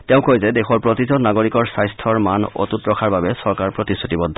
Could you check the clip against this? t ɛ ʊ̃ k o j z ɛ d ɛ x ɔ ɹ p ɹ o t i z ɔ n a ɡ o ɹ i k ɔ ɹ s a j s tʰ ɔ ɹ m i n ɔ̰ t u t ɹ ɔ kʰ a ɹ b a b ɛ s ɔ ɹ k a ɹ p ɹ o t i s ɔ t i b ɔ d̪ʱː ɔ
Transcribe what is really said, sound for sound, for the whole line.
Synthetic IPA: t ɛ ʊ̃ k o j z ɛ d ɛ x ɔ ɹ p ɹ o t i z ɔ n a ɡ o ɹ i k ɔ ɹ s a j s tʰ ɔ ɹ m a n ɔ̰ t u t ɹ ɔ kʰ a ɹ b a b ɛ s ɔ ɹ k a ɹ p ɹ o t i s u t i b ɔ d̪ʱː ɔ